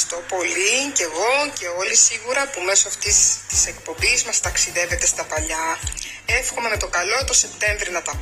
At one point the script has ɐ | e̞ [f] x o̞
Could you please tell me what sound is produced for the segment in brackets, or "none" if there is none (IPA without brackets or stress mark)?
f